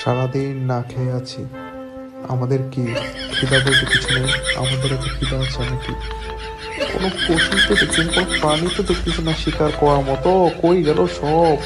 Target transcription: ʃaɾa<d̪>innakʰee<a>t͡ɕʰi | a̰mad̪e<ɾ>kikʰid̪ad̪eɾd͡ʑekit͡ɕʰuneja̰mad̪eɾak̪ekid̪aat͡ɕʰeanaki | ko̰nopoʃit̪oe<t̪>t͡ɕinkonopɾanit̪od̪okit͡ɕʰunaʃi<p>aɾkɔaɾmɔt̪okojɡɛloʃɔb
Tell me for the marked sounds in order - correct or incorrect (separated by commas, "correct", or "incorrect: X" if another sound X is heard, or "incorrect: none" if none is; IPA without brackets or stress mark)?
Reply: correct, correct, correct, incorrect: none, incorrect: k